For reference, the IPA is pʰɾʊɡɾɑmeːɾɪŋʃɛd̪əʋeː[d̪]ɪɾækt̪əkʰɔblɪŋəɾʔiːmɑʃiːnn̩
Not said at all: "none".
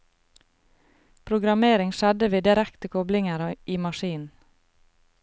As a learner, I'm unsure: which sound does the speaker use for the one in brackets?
d̪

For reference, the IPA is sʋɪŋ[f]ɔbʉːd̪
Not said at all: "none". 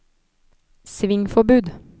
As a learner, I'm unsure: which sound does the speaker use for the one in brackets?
f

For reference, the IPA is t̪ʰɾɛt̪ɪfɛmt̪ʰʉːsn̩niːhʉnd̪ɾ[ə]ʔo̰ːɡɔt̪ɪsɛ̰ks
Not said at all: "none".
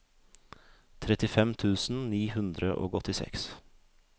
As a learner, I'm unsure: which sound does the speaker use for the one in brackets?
ə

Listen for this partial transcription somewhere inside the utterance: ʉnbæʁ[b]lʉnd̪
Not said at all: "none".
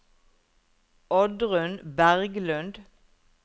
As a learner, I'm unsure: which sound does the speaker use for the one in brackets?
ɡ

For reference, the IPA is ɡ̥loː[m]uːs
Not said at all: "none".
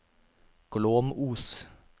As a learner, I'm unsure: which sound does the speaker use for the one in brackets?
m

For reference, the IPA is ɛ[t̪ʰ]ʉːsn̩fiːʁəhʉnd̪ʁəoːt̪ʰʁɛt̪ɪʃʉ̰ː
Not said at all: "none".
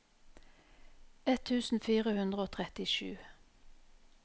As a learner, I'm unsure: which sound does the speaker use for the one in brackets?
t̪ʰ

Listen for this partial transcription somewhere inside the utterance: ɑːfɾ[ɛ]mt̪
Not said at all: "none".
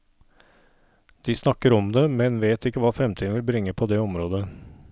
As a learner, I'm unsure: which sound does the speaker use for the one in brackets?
ɛ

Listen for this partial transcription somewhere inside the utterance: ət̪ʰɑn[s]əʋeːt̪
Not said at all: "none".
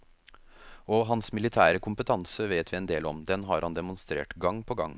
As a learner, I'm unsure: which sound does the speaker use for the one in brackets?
s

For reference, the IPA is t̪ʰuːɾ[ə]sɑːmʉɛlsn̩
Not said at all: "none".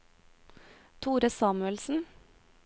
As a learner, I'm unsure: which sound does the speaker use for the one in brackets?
ə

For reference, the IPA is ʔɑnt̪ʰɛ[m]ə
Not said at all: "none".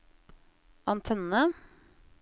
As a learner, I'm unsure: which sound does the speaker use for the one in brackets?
n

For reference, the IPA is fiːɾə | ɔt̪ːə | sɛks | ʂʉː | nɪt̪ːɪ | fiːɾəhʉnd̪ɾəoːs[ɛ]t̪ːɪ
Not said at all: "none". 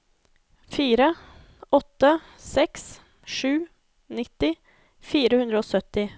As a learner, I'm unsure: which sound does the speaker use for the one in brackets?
œ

